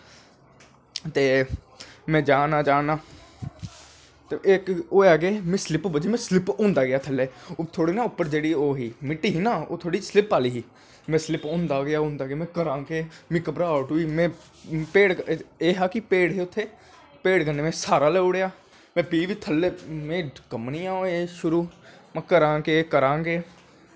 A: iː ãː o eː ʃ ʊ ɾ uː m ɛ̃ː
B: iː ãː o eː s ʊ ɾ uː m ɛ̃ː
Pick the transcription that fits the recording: A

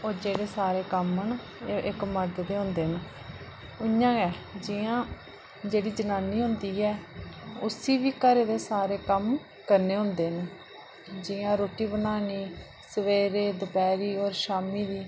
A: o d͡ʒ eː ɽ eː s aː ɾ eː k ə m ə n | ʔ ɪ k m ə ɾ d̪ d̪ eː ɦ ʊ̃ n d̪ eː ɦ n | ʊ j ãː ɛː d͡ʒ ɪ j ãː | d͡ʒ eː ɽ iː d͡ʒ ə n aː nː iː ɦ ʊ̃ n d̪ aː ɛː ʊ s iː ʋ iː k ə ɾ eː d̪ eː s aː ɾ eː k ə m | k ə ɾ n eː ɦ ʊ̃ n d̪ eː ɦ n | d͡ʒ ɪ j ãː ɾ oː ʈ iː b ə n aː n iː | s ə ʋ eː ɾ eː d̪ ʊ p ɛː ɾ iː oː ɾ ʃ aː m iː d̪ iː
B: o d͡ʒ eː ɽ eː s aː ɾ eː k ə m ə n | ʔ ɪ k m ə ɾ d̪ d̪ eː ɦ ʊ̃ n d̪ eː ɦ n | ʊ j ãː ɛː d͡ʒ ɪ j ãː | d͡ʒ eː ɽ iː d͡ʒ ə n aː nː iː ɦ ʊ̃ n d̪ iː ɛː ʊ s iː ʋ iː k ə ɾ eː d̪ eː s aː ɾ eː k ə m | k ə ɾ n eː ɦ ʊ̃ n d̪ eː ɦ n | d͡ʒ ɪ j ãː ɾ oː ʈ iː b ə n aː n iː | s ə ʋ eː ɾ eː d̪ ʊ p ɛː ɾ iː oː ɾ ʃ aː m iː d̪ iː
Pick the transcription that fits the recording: B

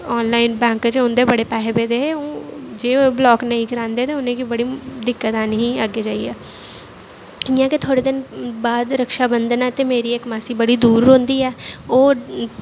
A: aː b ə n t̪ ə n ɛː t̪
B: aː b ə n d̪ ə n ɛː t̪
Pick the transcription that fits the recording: B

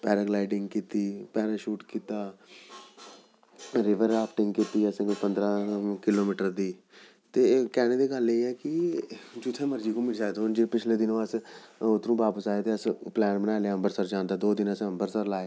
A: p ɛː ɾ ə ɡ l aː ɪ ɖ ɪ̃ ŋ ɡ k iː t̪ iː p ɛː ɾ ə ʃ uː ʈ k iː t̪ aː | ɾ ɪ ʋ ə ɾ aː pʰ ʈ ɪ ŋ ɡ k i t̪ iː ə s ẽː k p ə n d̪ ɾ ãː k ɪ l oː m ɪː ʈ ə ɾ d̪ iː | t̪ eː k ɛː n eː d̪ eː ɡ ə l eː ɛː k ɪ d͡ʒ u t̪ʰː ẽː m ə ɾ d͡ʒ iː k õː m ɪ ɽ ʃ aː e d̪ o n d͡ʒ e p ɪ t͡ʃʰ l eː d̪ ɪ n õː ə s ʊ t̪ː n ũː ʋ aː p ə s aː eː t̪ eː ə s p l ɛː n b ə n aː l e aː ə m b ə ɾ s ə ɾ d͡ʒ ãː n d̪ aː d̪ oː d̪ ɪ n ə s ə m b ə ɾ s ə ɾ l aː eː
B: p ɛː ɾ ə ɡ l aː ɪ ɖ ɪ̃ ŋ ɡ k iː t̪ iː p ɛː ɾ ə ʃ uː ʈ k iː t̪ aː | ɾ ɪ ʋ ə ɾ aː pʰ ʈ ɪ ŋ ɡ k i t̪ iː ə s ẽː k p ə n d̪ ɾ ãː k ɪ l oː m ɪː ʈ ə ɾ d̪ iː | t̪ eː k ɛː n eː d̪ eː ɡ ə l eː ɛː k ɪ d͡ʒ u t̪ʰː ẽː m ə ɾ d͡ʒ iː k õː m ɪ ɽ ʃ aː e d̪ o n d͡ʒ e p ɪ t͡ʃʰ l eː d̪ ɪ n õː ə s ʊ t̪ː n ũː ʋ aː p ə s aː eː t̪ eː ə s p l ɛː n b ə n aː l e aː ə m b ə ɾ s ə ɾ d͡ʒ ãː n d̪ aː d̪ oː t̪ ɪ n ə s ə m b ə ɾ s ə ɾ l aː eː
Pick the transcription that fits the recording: A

